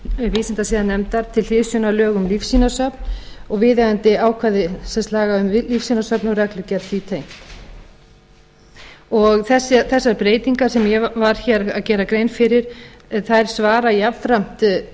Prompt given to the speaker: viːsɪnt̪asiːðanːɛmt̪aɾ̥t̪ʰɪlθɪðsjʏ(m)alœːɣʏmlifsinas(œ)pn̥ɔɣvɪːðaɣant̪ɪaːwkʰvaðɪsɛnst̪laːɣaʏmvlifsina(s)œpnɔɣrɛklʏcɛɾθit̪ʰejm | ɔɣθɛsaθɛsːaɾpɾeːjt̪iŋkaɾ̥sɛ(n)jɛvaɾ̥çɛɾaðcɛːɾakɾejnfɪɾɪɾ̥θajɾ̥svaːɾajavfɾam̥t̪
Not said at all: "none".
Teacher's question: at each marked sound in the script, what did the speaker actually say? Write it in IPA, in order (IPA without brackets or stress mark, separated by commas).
n, œ, s, m